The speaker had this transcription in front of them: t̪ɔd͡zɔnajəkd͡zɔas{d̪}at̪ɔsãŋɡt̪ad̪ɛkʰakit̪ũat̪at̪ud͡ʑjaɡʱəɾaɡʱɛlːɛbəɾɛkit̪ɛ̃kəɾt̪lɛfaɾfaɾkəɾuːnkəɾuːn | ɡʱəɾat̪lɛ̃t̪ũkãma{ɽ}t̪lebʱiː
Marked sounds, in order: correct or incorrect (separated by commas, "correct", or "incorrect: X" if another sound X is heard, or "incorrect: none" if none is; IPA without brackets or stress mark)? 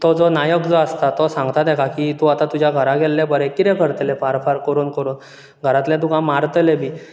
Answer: incorrect: t̪, incorrect: ɾ